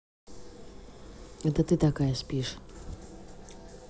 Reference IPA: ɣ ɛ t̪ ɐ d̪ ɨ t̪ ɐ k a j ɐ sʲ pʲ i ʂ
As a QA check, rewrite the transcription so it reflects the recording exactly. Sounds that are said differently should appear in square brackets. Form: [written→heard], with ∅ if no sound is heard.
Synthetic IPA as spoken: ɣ ɛ t̪ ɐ [d̪→t̪] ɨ t̪ [ɐ→a] k a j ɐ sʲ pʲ i ʂ